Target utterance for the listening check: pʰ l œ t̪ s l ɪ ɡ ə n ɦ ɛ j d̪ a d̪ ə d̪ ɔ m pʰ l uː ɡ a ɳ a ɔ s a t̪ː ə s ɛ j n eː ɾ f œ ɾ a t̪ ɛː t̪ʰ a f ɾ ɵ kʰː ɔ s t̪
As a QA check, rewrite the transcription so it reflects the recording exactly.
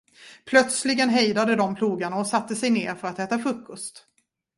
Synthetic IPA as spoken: pʰ l œ t̪ s l ɪ ɡ ə n ɦ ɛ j d̪ a d̪ ə d̪ ɔ m pʰ l uː ɡ a ɳ a ɔ s a t̪ː ə s ɛ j n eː ɾ f œ ɾ a t̪ ɛː t̪ a f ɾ ɵ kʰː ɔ s t̪

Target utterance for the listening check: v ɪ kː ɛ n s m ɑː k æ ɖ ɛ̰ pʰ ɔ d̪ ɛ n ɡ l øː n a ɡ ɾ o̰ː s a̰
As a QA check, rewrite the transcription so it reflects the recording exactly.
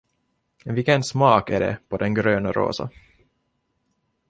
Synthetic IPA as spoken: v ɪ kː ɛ n s m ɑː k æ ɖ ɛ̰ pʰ ɔ d̪ ɛ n ɡ ɾ øː n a ɾ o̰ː s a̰

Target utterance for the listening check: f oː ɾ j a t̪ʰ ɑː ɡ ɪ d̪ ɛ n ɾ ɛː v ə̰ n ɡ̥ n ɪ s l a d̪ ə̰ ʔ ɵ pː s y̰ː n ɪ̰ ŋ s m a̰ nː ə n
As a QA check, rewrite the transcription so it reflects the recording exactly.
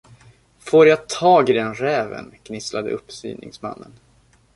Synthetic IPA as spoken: f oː ɾ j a t̪ʰ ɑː ɡ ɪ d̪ ɛ n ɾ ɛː v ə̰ n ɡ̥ n ɪ s l a d̪ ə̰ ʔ ɵ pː s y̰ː n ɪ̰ ŋ s m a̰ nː ə n

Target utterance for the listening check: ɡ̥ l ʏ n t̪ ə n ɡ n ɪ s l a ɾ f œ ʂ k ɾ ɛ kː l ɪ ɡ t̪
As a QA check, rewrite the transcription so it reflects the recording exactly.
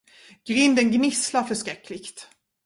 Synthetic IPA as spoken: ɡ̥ ɾ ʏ n d̪ ə n ɡ n ɪ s l a ɾ f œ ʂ k ɾ ɛ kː l ɪ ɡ t̪

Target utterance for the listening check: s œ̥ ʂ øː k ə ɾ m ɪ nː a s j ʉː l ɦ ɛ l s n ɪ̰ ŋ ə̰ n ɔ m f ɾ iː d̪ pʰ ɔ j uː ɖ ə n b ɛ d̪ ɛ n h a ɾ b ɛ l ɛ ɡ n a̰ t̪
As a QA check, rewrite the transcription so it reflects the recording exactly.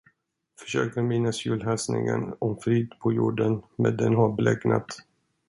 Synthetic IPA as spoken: f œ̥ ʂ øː k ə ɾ m ɪ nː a s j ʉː l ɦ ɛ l s n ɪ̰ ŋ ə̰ n ɔ m f ɾ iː d̪ pʰ ɔ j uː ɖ ə n m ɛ d̪ ɛ n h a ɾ b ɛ l ɛ ɡ n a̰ t̪

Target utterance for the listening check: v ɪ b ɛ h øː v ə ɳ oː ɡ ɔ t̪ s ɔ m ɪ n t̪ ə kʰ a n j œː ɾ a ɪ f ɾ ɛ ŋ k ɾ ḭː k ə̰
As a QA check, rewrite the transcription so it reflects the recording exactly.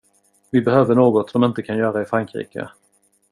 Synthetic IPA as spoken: v ɪ b ɛ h øː v ə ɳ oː ɡ ɔ t̪ s ɔ m ɪ n t̪ ə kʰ a n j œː ɾ a ɪ f ɾ a ŋ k ɾ ḭː k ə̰

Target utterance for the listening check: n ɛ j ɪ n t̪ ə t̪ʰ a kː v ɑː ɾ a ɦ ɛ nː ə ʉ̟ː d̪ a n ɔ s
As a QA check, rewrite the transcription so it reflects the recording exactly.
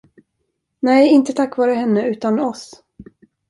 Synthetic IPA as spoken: n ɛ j ɪ n t̪ ə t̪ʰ a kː v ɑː ɾ ə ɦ ɛ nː ə ʉ̟ː t̪ a n ɔ s

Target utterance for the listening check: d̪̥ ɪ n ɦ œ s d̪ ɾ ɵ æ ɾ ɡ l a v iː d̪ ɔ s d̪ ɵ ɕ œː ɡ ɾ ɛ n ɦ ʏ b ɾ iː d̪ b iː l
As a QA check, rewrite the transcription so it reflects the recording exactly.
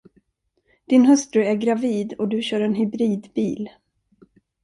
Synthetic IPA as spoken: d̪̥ ɪ n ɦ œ s t̪ ɾ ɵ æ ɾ ɡ ɾ a v iː d̪ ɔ d̪ ɵ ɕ œː ɾ ɛ n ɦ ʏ b ɾ iː d̪ b iː l

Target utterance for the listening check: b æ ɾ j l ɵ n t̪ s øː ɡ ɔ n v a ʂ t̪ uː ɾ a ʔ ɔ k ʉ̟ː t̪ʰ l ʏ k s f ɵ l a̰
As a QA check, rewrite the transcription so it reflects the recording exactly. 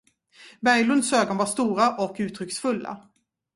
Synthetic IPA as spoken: b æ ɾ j l ɵ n d̪ s øː ɡ ɔ n v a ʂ t̪ uː ɾ a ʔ ɔ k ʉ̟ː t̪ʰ ɾ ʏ k s f ɵ lː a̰

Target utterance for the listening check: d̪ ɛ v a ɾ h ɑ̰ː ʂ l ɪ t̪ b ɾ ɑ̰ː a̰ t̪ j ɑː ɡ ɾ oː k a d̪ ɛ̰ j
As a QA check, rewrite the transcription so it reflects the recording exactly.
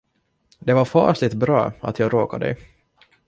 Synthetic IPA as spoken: d̪ ɛ v a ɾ f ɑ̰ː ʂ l ɪ t̪ b ɾ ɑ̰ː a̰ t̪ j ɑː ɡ ɾ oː k a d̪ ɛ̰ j

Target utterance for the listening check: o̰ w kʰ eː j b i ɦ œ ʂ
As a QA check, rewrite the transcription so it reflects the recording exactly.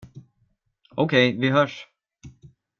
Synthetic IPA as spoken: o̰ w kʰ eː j v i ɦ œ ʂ

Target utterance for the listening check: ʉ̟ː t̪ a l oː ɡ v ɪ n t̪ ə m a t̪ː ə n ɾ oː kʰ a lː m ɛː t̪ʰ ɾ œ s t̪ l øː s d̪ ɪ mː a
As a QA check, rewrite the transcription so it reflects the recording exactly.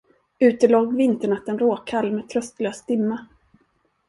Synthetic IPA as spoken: ʉ̟ː t̪ ə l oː ɡ v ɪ n t̪ ə ɳ a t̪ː ə n ɾ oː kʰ a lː m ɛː t̪ʰ ɾ œ s t̪ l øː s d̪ ɪ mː a

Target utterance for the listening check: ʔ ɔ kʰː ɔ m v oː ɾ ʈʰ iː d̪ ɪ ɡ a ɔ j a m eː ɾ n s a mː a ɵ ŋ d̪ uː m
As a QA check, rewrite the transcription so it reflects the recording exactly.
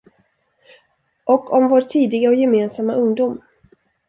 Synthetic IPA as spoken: ʔ ɔ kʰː ɔ m v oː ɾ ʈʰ iː d̪ ɪ ɡ a ɔ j ɛ m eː n s a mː a ɵ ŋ d̪ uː m

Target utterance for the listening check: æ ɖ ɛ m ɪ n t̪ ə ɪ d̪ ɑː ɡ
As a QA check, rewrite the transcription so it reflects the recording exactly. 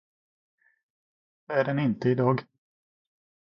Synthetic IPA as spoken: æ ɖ ɛ n ɪ n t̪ ə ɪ d̪ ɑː ɡ

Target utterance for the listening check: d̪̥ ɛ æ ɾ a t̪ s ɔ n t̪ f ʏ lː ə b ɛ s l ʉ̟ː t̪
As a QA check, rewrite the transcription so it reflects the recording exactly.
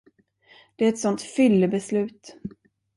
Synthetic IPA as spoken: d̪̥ ɛ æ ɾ ɛ t̪ s ɔ n t̪ f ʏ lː ə b ɛ s l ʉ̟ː t̪

